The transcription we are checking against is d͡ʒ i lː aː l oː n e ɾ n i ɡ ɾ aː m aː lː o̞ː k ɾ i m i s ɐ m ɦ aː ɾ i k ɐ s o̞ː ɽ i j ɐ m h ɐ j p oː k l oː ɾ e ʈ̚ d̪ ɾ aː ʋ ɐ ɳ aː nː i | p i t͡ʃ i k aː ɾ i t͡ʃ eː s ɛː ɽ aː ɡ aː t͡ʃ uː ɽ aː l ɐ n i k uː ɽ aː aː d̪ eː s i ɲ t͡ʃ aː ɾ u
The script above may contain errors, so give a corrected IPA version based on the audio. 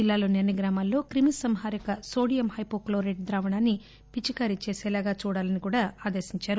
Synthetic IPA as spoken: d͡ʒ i lː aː l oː n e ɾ n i ɡ ɾ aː m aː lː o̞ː k ɾ i m i s ɐ m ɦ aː ɾ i k ɐ s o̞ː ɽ i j ɐ m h ɐ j p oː k l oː ɾ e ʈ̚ d̪ ɾ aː ʋ ɐ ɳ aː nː i | p i t͡ʃ i k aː ɾ i t͡ʃ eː s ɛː l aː ɡ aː t͡ʃ uː ɽ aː l ɐ n i k uː ɽ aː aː d̪ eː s i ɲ t͡ʃ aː ɾ u